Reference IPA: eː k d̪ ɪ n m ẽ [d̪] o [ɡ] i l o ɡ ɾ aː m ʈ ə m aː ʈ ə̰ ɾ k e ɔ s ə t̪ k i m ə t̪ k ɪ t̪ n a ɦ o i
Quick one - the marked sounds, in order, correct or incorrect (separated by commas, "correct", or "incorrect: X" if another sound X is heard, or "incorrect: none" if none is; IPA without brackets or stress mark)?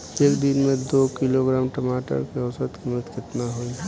correct, incorrect: k